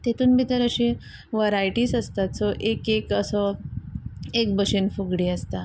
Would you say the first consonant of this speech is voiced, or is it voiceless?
voiceless